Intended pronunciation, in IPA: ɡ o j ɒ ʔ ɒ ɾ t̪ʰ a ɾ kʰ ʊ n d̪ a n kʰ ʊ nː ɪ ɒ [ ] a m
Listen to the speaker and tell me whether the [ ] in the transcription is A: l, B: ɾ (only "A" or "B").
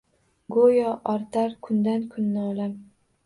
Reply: A